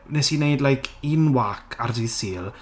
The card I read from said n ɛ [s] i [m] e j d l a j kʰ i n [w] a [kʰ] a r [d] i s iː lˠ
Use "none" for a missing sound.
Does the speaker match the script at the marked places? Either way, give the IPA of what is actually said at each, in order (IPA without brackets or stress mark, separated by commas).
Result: s, n, w, kʰ, d